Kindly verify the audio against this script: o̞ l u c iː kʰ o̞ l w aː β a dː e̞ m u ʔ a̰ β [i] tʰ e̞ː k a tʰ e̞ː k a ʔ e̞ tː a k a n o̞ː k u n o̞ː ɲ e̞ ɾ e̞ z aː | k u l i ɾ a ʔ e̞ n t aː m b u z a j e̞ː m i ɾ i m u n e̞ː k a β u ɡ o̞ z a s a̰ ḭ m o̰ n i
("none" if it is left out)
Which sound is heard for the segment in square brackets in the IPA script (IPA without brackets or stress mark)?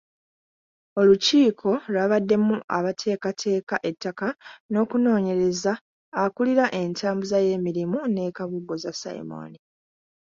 a